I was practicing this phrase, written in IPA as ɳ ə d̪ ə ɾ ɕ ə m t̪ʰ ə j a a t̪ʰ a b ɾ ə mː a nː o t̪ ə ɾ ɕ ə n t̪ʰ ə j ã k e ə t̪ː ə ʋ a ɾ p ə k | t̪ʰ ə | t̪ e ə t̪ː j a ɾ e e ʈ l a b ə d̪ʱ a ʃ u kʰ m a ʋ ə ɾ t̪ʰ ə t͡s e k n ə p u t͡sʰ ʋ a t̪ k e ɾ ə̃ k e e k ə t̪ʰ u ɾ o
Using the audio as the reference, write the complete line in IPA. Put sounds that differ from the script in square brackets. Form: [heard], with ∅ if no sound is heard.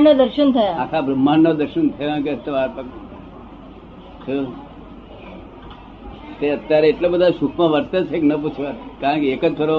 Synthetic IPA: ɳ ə d̪ ə ɾ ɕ ə [n] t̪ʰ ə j a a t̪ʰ a b ɾ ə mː a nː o [d̪] ə ɾ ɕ ə n t̪ʰ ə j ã k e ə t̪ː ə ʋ a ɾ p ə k | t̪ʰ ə | t̪ e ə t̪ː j a ɾ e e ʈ l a b ə d̪ʱ a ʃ u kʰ m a ʋ ə ɾ [t̪] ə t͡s e k n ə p u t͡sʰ ʋ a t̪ k [a] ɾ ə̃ k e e k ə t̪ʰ [o] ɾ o